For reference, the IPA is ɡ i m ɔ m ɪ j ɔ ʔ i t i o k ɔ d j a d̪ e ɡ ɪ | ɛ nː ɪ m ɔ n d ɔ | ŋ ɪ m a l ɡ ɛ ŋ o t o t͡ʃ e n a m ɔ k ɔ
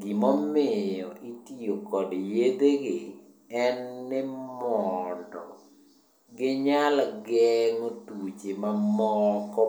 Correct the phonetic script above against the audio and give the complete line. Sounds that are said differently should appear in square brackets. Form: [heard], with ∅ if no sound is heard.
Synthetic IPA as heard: ɡ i m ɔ m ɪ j ɔ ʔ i t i o k ɔ d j [e] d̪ e ɡ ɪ | ɛ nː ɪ m ɔ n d ɔ | [ɡ] ɪ [ɲ] a l ɡ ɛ ŋ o t [u] t͡ʃ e [m] a m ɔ k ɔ

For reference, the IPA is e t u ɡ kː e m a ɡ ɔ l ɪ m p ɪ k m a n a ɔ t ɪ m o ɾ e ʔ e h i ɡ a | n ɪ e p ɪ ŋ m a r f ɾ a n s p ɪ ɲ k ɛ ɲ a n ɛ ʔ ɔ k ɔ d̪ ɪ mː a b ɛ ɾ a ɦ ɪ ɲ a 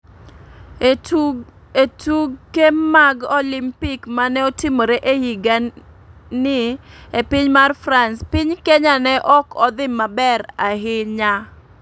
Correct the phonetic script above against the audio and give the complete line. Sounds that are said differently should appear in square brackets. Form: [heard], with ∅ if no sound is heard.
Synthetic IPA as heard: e t u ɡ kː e m a ɡ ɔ l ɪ m p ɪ k m a n [ɛ] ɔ t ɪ m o ɾ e ʔ e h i ɡ a | n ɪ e p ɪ [ɲ] m a r f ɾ a n s p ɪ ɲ k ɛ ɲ a n ɛ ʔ ɔ k ɔ d̪ ɪ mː a b ɛ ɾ a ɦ ɪ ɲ a

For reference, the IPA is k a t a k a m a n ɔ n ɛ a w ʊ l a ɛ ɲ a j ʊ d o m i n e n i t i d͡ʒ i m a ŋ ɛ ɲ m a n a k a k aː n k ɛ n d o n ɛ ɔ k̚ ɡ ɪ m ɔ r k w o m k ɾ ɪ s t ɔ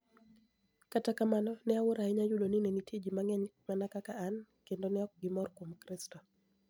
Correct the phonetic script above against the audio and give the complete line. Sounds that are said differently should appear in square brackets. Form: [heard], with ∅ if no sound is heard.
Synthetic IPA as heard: k a t a k a m a n ɔ n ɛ a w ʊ [ɾ] a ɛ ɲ a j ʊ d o [n] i n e n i t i d͡ʒ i m a ŋ ɛ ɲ m a n a k a k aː n k [e] n d o n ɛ ɔ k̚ ɡ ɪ m ɔ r k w o m k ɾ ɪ s t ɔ

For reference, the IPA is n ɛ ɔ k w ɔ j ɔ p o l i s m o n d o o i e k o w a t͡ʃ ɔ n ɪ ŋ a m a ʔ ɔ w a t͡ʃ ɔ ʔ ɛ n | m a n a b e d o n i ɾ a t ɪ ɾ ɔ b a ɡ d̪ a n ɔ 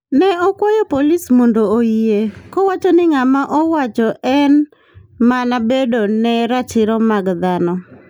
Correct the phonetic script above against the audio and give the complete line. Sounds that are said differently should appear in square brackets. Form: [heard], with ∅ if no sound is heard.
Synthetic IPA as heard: n ɛ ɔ k w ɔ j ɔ p o l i s m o n d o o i e k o w a t͡ʃ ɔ n ɪ ŋ a m a ʔ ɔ w a t͡ʃ ɔ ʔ ɛ n | m a n a b e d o n [ɛ] ɾ a [t͡ʃ] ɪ ɾ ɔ [m] a ɡ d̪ a n ɔ

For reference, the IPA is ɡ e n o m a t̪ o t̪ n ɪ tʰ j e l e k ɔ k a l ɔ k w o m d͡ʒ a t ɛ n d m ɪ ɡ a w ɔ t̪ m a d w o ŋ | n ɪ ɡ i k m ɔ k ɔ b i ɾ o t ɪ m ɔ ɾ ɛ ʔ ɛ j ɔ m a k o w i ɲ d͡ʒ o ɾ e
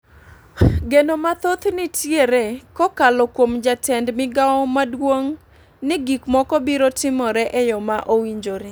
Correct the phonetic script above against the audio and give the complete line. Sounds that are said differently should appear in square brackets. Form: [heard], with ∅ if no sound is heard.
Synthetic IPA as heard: ɡ e n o m a t̪ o t̪ n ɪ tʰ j e [ɾ] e k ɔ k a l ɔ k w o m d͡ʒ a t ɛ n d m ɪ ɡ a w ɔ [∅] m a d w o ŋ | n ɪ ɡ i k m ɔ k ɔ b i ɾ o t ɪ m ɔ ɾ ɛ ʔ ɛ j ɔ m a [ʔ] o w i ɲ d͡ʒ o ɾ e

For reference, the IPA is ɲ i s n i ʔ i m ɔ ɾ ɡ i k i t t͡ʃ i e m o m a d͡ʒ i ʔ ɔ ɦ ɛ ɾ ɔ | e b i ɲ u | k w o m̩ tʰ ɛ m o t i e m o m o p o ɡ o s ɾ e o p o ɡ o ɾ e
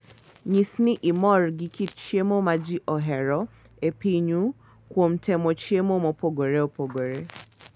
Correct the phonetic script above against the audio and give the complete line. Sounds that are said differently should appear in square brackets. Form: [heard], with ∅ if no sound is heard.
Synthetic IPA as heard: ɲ i s n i ʔ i m ɔ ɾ ɡ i k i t t͡ʃ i e m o m a d͡ʒ i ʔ ɔ ɦ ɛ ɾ ɔ | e [p] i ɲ u | k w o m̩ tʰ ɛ m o [t͡ʃ] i e m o m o p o ɡ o [∅] ɾ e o p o ɡ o ɾ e

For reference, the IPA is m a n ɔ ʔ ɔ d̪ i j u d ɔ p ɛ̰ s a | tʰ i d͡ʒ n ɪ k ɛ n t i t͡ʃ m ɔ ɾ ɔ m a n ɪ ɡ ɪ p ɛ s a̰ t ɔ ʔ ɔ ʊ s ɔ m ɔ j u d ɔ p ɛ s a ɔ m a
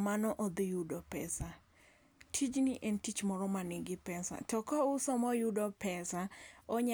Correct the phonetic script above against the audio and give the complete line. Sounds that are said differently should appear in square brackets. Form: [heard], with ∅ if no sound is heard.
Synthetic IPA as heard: m a n ɔ ʔ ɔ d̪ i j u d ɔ p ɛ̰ s a | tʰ i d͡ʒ n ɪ [ʔ] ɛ n t i t͡ʃ m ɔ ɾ ɔ m a n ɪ ɡ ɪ p ɛ s a̰ t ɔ [k] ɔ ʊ s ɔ m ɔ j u d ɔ p ɛ s a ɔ [ɲ] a

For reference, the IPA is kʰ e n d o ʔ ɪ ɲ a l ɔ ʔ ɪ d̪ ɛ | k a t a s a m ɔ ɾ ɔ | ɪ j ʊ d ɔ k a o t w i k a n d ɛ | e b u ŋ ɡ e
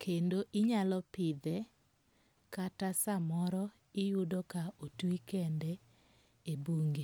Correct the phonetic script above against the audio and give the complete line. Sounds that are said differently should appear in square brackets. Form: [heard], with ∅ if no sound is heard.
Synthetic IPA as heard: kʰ e n d o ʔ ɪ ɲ a l ɔ [p] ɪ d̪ ɛ | k a t a s a m ɔ ɾ ɔ | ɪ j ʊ d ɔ k a o t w i k [ɛ] n d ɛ | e b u ŋ ɡ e

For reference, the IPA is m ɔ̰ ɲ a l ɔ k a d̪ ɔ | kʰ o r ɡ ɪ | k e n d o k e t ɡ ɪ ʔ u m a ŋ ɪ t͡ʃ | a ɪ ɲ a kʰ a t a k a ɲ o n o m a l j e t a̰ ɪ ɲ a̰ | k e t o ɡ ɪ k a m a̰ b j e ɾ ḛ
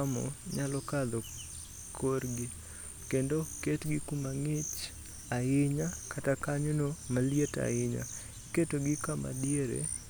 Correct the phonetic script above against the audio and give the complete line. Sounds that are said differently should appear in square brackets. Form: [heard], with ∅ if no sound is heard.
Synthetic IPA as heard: m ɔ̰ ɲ a l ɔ k a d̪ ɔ | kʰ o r ɡ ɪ | k e n d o k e t ɡ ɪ [k] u m a ŋ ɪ t͡ʃ | a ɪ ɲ a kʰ a t a k a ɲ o n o m a l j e t a̰ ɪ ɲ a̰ | k e t o ɡ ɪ k a m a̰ [d] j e ɾ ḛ

